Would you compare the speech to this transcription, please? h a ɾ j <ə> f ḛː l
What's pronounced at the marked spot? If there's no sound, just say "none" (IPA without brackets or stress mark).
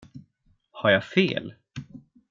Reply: a